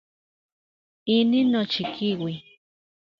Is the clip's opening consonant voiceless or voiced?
voiced